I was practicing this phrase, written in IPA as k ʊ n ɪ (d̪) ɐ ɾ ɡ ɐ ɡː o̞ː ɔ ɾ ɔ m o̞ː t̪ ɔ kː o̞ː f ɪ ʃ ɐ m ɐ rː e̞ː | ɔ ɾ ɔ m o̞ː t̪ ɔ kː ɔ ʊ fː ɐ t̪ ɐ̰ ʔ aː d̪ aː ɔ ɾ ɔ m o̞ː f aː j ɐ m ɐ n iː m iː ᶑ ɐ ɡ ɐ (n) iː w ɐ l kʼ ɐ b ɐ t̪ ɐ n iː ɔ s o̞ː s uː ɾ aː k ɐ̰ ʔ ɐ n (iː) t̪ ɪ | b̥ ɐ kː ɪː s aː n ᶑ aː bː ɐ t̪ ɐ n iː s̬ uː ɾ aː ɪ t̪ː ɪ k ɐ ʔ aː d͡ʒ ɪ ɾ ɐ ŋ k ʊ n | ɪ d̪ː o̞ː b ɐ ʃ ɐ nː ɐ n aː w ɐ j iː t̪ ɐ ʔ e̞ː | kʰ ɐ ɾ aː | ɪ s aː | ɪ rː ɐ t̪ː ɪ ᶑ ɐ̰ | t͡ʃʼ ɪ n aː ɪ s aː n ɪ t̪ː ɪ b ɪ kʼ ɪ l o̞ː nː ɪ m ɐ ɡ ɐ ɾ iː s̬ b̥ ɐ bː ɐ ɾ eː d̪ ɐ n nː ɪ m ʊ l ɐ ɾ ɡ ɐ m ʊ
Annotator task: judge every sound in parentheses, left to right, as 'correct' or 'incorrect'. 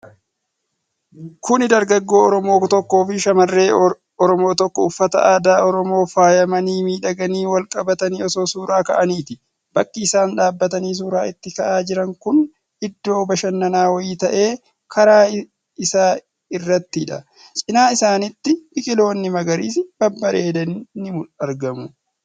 correct, correct, correct

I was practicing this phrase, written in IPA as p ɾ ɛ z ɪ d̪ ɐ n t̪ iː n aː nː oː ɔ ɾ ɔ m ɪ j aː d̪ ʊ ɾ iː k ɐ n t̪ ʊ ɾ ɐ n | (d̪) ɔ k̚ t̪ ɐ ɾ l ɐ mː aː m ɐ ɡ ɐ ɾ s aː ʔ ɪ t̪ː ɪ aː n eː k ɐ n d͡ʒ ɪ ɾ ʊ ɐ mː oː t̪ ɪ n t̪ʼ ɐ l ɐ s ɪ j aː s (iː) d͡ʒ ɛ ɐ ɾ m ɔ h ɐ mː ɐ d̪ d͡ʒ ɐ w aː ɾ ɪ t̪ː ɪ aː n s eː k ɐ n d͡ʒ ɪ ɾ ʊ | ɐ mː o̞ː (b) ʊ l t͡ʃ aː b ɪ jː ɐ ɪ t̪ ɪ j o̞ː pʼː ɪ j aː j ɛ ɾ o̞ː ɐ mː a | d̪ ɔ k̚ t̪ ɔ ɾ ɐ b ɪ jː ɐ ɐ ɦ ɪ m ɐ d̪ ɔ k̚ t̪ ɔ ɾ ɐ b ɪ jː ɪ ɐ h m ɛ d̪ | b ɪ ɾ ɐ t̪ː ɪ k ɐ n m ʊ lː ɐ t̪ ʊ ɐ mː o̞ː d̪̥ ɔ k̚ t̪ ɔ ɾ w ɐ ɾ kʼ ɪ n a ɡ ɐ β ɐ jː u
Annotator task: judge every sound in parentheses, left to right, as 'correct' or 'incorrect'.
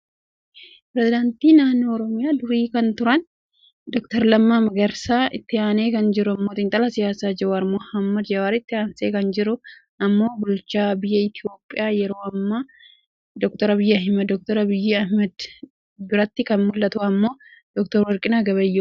correct, incorrect, correct

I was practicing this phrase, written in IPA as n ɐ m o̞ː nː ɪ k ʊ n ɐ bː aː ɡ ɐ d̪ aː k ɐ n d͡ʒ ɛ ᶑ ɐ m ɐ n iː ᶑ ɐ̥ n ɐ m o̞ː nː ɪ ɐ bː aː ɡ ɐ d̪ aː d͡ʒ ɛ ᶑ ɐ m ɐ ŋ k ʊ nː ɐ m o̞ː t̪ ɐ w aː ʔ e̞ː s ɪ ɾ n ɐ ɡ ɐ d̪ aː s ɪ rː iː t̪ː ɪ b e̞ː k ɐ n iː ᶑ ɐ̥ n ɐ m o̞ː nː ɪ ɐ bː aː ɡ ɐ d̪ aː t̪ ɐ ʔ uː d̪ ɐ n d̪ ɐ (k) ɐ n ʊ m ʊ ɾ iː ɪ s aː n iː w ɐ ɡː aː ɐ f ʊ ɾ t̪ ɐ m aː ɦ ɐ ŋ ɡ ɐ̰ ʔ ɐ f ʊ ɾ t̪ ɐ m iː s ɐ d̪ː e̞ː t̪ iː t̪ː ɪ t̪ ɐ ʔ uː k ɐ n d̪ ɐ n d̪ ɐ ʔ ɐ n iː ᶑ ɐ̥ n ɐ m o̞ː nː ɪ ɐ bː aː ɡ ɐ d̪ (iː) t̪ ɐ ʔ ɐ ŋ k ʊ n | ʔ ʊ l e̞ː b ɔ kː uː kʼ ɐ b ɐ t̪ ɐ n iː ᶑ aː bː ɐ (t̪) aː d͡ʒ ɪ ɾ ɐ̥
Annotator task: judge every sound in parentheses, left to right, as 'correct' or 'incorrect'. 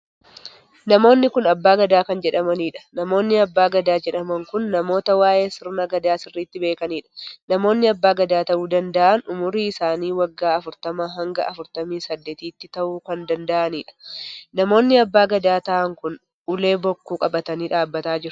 incorrect, incorrect, correct

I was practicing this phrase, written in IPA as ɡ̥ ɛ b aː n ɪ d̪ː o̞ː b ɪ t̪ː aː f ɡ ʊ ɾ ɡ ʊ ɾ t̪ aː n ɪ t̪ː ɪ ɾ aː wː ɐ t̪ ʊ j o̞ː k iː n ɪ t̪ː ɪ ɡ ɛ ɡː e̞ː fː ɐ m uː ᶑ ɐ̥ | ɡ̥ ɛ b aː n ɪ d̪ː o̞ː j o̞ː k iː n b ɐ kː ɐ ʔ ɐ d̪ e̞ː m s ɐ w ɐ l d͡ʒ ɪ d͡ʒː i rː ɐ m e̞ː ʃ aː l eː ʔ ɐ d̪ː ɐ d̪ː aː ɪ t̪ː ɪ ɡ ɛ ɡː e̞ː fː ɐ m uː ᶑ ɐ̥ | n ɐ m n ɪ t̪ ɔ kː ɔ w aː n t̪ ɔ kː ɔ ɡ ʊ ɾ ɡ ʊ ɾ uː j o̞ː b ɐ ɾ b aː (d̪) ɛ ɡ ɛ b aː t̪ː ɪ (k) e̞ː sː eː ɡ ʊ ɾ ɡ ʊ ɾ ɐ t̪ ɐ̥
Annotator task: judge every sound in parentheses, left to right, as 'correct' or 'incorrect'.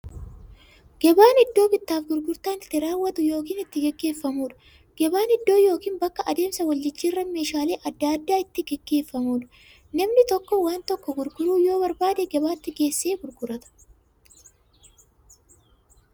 correct, incorrect

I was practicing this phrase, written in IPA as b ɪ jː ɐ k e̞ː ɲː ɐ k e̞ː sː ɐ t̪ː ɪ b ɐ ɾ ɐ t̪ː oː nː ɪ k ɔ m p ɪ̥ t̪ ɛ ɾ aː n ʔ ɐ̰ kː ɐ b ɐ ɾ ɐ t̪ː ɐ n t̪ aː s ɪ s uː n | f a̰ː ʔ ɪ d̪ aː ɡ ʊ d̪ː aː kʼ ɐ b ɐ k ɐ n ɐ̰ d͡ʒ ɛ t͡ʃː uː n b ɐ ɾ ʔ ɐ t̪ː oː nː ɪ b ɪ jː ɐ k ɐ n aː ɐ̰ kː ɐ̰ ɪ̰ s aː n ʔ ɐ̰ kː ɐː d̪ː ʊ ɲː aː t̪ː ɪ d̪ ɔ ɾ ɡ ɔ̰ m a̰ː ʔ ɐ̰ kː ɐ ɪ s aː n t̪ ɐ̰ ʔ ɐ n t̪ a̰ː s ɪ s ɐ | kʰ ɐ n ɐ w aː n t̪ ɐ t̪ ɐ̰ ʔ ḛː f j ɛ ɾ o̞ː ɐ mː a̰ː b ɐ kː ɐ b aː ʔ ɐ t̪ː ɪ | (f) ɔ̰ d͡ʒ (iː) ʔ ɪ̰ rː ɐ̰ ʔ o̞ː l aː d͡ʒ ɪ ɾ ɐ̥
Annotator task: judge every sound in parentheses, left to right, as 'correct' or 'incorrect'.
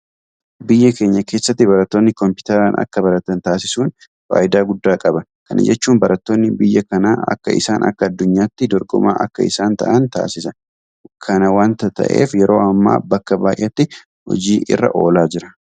incorrect, correct

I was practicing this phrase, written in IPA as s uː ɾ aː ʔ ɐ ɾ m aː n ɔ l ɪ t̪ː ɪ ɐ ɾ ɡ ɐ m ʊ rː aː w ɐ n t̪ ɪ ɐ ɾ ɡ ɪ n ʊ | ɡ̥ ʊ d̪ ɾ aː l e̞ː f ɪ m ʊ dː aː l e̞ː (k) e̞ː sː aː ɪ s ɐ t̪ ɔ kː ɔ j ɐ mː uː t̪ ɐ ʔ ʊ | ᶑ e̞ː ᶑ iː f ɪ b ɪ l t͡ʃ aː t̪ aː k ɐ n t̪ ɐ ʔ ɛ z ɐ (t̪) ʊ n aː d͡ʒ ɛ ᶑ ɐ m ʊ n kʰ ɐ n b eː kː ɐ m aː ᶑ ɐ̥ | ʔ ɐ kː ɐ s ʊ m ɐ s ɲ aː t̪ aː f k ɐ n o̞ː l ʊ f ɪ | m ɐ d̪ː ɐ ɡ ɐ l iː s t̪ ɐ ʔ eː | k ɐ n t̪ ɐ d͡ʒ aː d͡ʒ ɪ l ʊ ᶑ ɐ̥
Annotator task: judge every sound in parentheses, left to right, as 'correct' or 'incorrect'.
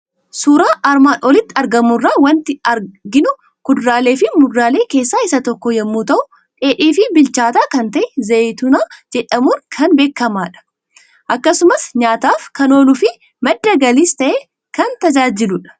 correct, correct

